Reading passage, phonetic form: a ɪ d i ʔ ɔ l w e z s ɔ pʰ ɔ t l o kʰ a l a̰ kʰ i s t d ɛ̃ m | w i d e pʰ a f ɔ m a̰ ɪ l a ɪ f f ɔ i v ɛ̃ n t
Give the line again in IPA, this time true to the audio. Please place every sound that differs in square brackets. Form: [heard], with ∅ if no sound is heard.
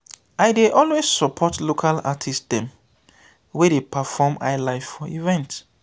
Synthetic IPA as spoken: a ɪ d [e] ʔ ɔ l w e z s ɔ pʰ ɔ t l o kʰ a l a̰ [tʰ] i s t d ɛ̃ m | w [e] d e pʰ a f ɔ m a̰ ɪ l a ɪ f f ɔ i v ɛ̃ n t

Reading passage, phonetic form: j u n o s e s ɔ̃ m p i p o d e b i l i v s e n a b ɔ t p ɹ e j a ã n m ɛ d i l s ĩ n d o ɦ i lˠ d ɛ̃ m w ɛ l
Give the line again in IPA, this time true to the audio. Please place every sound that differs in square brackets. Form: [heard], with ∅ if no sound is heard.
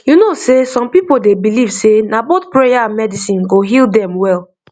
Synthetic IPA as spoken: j u n o s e s ɔ̃ m p i p o d e b i l i v s e n a b [o] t p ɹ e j a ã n m ɛ d i [∅] s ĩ n [ɡ] o ɦ i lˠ d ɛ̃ m w ɛ l

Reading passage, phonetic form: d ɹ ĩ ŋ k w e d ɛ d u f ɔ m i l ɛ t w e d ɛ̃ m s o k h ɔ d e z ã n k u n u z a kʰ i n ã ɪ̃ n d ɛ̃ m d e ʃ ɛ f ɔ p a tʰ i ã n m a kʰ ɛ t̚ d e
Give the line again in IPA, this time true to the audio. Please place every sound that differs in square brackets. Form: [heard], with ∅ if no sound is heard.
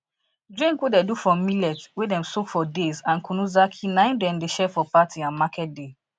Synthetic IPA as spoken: d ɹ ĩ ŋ k w e d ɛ d u f ɔ m i l ɛ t w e d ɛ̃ m s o k [f] ɔ d e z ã n k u n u z a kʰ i n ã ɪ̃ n d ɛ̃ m d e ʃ ɛ f ɔ p a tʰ i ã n m a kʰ ɛ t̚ d e

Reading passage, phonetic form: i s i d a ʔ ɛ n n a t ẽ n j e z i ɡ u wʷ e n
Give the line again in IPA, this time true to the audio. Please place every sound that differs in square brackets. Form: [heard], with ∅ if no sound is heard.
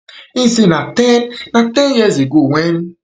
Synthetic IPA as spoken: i s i [n] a [t] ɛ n n a t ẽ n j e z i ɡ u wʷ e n

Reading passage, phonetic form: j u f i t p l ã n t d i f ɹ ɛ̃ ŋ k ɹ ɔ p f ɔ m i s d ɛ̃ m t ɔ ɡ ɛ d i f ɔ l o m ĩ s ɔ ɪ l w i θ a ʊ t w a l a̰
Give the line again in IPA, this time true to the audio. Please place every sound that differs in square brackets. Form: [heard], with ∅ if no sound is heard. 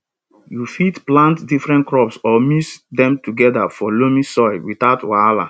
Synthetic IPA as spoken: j u f i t p l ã n t d i f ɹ ɛ̃ [n] k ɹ ɔ p [s] ɔ m i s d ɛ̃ m t [u] ɡ ɛ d [a] f ɔ l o m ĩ s ɔ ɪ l w i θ a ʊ t w a l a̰

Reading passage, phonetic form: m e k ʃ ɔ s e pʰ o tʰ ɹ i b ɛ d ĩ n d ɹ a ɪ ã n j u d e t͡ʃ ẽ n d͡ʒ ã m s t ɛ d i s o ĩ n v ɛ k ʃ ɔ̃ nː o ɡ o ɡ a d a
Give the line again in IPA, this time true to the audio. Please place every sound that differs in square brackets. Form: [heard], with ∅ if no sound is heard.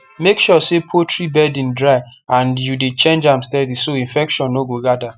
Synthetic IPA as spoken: m e k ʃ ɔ s e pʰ o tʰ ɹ i b ɛ d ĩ n d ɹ a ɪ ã n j u d e t͡ʃ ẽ n d͡ʒ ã m s t ɛ d i s o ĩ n [f] ɛ k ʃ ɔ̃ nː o ɡ o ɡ a d a

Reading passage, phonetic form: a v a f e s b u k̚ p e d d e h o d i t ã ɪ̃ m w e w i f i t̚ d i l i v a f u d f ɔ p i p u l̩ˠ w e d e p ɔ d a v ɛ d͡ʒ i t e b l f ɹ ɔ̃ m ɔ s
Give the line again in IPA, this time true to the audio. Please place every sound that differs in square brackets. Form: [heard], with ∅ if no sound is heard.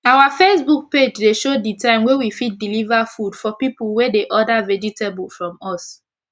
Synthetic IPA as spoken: a [w] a f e s b u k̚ p e [d͡ʒ] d e [ʃ] o d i t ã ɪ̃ m w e w i f i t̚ d i l i v a f u d f ɔ p i p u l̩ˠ w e d e [ʔ] ɔ d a v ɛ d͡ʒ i t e b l f ɹ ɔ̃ m ɔ s

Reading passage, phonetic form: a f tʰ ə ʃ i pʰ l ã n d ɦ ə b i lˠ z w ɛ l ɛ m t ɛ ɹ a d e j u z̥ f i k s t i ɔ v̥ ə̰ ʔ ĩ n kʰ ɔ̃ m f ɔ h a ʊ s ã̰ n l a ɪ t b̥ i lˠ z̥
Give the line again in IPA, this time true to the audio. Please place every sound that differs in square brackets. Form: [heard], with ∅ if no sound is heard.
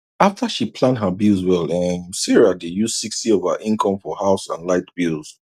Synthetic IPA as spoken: a f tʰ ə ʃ i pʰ l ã n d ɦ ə b i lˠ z w ɛ l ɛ m [s] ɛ ɹ a d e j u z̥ [s] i k s t i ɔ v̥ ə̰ ʔ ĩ n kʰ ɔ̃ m f ɔ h a ʊ s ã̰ n l a ɪ t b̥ i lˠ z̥

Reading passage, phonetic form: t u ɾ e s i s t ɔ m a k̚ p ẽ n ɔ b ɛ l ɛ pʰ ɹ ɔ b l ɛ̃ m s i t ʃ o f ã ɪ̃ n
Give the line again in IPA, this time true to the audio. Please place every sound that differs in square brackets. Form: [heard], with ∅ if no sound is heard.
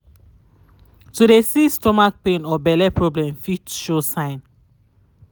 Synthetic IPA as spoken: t u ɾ e s i s t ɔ m a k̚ p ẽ n ɔ b ɛ l ɛ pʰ ɹ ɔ b l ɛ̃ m [f] i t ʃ o [s] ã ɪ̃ n

